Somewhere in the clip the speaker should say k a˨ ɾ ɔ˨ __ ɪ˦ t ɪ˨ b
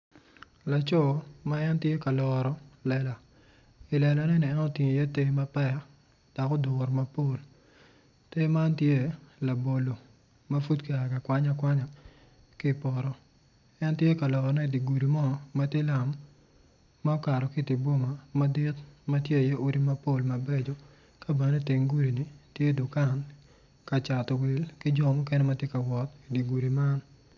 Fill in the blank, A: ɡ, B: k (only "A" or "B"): B